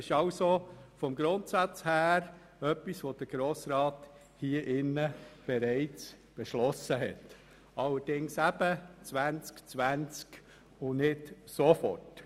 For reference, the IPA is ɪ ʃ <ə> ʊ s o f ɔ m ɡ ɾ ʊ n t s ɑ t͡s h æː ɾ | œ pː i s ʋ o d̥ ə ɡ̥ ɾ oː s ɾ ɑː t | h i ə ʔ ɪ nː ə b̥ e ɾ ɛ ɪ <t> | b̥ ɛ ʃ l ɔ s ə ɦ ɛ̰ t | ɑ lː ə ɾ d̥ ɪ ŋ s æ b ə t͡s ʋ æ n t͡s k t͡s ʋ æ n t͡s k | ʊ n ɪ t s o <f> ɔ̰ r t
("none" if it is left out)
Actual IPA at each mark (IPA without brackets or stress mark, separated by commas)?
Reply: ɑ, t͡s, f